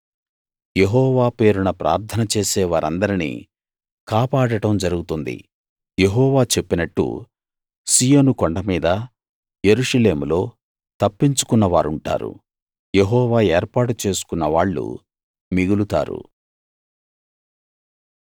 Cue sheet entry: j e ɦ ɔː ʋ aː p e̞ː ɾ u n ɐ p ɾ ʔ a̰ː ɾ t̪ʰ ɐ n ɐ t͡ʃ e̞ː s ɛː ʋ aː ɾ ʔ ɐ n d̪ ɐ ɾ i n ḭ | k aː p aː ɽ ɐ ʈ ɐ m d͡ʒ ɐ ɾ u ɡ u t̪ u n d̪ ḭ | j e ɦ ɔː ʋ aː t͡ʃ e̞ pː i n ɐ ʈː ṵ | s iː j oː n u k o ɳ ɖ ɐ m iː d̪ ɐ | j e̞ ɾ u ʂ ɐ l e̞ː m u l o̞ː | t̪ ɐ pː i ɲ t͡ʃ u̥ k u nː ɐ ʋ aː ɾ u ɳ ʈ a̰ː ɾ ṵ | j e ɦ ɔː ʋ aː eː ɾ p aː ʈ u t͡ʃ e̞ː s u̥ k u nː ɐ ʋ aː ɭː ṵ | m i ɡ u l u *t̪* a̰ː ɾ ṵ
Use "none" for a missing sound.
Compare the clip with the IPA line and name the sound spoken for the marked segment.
t̪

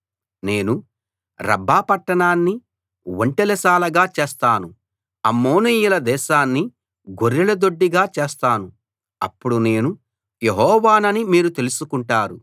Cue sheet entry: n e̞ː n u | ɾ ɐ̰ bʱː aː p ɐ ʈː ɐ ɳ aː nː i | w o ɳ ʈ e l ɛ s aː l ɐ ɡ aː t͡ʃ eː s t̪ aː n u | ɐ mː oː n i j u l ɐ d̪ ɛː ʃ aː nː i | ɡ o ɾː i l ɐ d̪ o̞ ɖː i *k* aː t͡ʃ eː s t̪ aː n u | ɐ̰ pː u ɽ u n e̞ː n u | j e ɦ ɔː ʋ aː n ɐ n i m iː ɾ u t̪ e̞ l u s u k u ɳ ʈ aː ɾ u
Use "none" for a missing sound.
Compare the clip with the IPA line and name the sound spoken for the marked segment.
ɡ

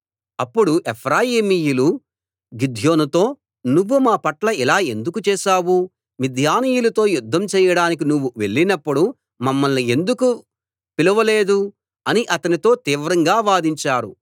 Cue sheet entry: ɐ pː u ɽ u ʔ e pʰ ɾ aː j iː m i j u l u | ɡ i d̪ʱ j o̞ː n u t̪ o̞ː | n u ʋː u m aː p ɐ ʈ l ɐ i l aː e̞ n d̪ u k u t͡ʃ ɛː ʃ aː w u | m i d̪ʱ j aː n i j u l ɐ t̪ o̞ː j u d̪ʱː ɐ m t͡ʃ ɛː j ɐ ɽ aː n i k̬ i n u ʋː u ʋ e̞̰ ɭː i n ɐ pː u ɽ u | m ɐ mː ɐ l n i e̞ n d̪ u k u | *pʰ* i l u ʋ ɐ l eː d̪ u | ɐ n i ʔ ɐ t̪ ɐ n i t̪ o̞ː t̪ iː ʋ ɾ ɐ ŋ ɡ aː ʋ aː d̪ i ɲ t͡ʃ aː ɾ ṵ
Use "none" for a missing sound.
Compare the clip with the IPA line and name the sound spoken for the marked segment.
p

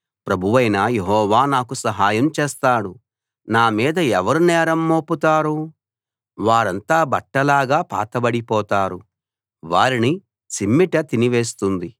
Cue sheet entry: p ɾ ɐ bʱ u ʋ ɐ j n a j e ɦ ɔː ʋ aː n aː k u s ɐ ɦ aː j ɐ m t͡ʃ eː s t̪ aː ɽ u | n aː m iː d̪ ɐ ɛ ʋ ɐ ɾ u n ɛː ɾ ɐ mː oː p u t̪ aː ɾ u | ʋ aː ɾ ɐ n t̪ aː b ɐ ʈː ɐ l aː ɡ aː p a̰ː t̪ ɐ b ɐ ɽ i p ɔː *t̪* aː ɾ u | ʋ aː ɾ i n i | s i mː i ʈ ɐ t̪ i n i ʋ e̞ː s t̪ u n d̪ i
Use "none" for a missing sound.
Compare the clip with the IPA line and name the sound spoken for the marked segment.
t̪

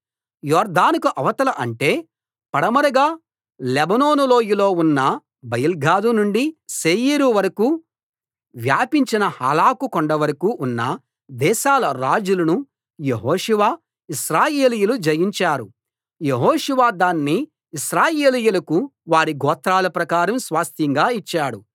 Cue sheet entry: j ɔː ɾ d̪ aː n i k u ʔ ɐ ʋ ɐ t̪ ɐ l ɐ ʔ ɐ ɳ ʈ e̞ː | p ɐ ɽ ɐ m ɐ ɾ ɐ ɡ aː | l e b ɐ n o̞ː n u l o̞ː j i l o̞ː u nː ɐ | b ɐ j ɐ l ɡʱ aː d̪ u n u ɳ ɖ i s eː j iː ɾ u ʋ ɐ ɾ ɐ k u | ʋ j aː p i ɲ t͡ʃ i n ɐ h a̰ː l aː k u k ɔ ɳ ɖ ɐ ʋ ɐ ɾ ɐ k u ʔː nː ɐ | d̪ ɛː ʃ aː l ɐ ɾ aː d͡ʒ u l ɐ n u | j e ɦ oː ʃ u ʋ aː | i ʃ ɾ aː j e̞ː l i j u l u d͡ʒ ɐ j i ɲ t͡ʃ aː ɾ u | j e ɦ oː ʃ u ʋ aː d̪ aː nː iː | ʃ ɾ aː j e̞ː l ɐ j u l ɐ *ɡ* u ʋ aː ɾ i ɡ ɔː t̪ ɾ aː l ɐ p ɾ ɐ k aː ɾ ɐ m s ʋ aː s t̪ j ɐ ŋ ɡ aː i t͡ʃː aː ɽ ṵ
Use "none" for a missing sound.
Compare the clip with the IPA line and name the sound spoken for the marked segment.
k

